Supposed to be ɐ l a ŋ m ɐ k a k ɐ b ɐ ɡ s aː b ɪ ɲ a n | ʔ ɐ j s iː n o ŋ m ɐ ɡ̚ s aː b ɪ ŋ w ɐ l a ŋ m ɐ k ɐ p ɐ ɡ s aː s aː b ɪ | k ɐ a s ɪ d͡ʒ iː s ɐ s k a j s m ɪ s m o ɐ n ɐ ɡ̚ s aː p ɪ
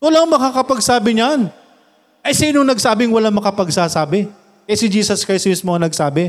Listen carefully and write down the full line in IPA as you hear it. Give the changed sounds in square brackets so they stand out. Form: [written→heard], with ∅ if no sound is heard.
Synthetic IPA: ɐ l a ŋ m ɐ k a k ɐ [b→p] ɐ ɡ s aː b ɪ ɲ a n | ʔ ɐ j s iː n o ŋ [m→n] ɐ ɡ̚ s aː b ɪ ŋ w ɐ l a ŋ m ɐ k ɐ p ɐ ɡ s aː s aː b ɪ | k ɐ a s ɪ d͡ʒ iː s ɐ s k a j s m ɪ s m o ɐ n ɐ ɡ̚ s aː [p→b] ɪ